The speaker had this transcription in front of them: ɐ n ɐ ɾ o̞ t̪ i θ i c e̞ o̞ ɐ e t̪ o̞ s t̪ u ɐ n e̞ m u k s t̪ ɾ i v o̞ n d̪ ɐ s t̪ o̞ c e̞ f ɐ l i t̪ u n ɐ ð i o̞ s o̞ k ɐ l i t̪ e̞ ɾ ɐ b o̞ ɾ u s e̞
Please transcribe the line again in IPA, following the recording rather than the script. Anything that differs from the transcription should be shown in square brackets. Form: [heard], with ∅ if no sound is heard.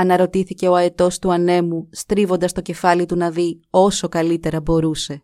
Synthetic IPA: ɐ n ɐ ɾ o̞ t̪ i θ i c e̞ o̞ ɐ e t̪ o̞ s t̪ u ɐ n e̞ m u [∅] s t̪ ɾ i v o̞ n d̪ ɐ s t̪ o̞ c e̞ f ɐ l i t̪ u n ɐ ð i o̞ s o̞ k ɐ l i t̪ e̞ ɾ ɐ b o̞ ɾ u s e̞